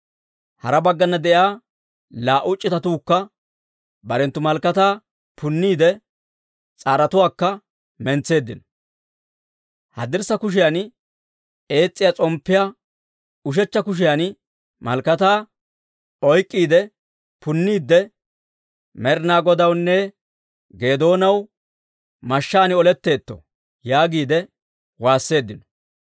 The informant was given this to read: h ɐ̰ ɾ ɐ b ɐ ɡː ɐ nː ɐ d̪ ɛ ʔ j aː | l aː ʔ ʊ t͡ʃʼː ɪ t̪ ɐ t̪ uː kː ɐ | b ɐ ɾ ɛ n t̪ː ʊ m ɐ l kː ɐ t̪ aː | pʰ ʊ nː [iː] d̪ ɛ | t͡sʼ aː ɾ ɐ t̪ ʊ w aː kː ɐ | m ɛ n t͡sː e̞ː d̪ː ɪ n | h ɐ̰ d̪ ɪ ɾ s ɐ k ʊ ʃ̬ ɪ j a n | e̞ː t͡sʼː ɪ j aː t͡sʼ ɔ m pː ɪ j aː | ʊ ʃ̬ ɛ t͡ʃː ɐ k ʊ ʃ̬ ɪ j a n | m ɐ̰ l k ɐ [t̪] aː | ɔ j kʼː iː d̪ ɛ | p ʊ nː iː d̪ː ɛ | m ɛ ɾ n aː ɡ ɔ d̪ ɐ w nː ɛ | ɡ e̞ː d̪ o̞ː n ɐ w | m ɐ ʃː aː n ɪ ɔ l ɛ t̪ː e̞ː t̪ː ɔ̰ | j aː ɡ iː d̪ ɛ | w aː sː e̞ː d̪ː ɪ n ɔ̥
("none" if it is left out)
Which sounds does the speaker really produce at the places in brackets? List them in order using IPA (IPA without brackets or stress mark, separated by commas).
iː, t̪